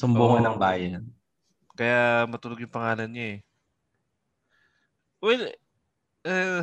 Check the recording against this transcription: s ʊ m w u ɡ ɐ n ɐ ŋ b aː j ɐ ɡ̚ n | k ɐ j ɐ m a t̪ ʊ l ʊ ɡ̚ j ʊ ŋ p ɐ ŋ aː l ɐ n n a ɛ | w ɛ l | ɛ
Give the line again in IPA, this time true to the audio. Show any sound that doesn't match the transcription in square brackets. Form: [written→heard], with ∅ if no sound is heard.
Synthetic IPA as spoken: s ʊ m [w→b] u [ɡ→ŋ] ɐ n ɐ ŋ b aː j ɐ [ɡ̚→∅] n | k ɐ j [ɐ→a] m [a→ɐ] t̪ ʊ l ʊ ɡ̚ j ʊ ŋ p ɐ ŋ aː l ɐ n [n→ɲ] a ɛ | w ɛ l | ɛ